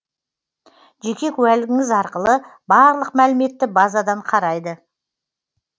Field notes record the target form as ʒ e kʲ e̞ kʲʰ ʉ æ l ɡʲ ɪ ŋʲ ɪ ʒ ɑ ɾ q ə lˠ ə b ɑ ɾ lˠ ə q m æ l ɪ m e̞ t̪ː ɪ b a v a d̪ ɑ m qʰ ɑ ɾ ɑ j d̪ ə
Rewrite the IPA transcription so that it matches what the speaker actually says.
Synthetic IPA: ʒ e kʲ e̞ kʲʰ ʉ æ l ɡʲ ɪ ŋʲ ɪ z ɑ ɾ q ə lˠ ə b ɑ ɾ lˠ ə q m æ l ɪ m e̞ t̪ː ɪ b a z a d̪ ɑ ɴ qʰ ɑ ɾ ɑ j d̪ ə